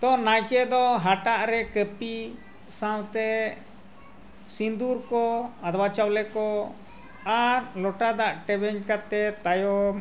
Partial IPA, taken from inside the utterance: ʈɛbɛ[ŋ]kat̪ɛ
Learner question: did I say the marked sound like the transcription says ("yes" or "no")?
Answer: no